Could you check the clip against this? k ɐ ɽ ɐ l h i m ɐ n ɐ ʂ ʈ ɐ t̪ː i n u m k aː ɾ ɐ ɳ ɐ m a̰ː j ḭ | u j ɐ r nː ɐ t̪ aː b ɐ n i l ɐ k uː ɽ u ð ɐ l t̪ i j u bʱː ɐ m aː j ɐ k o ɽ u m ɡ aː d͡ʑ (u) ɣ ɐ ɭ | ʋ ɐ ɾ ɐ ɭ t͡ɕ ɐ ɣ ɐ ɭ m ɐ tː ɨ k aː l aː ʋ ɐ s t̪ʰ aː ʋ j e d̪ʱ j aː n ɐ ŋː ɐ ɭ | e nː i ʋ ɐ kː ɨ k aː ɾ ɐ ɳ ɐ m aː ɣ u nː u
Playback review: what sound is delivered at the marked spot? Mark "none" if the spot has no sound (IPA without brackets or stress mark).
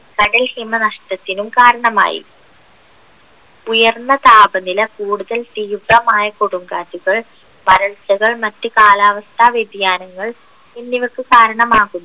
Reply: u